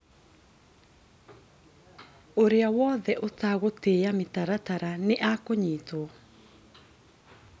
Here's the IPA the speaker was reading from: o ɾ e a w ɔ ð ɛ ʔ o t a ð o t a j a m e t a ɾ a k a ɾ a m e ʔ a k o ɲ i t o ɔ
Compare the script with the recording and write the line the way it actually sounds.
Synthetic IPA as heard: o ɾ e a w ɔ ð ɛ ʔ o t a ɣ o t e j a m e t a ɾ a t a ɾ a n e ʔ a k o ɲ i t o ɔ